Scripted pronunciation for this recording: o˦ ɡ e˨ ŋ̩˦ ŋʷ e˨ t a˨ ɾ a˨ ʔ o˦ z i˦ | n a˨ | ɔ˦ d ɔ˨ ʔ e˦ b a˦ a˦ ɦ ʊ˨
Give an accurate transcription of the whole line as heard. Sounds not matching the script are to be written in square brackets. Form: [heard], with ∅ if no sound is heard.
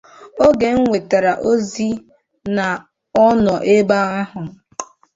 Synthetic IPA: o˦ ɡ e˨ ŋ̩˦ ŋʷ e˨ t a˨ ɾ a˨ ʔ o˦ z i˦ | n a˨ | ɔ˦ [n] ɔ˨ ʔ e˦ b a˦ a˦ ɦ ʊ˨